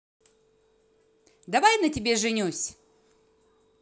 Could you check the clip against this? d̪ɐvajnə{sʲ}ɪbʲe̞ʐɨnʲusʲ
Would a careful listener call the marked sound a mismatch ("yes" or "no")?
yes